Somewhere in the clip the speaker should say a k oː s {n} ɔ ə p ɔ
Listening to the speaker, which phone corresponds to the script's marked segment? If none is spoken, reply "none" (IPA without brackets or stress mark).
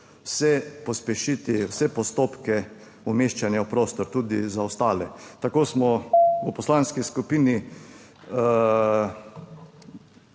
m